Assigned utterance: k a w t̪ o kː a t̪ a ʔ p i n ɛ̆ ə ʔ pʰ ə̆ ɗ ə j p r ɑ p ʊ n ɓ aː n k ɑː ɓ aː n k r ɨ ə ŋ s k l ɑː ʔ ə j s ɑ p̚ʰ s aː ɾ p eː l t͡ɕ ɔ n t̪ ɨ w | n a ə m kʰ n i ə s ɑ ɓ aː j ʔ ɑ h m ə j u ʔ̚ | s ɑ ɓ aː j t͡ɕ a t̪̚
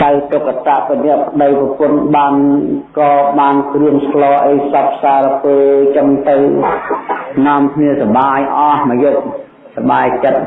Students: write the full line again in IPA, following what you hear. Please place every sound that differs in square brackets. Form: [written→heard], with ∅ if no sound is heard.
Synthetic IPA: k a w t̪ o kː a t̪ a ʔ p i n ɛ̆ ə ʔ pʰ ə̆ ɗ ə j p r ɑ p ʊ n ɓ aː n k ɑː ɓ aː n k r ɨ ə ŋ s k l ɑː ʔ ə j s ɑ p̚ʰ s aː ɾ p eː l t͡ɕ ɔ [n→ŋ] t̪ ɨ w | n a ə m kʰ n i ə s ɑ ɓ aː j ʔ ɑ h m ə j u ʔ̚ | s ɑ ɓ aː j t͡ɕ [a→ə] t̪̚